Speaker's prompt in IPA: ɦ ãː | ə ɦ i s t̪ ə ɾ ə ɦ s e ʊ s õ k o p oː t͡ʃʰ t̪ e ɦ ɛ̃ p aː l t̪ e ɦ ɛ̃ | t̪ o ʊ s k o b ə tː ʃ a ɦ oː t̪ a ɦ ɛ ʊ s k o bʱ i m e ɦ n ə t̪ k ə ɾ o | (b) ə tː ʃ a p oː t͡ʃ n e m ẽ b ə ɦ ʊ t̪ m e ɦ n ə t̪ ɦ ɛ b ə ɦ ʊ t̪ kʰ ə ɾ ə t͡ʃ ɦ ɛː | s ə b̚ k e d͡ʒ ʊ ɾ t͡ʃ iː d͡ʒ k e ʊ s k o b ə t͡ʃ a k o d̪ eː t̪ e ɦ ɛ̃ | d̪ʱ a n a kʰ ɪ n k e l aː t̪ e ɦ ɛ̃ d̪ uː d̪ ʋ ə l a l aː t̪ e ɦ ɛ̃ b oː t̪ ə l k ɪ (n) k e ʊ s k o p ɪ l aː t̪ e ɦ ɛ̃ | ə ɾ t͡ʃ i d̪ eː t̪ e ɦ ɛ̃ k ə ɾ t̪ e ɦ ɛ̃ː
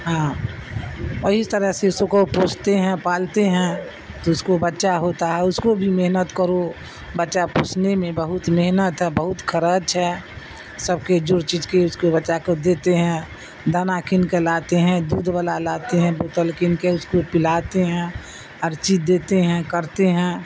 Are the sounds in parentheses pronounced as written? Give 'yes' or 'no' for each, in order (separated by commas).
yes, yes